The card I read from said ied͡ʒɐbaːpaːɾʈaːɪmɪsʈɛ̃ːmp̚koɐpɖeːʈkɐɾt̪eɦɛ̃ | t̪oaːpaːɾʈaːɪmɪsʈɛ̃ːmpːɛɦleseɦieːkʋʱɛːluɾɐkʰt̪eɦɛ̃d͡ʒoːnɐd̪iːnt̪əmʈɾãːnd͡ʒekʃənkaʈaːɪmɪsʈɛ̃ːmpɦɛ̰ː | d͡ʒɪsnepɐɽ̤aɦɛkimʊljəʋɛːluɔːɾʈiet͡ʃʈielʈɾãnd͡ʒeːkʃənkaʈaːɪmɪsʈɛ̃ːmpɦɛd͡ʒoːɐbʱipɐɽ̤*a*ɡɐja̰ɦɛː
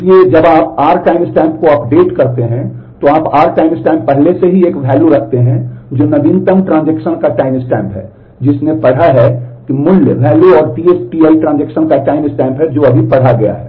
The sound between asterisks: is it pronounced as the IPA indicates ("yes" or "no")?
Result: yes